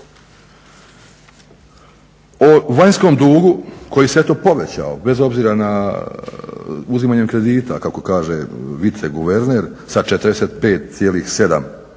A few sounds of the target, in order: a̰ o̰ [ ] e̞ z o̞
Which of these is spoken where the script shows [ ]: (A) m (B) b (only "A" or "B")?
B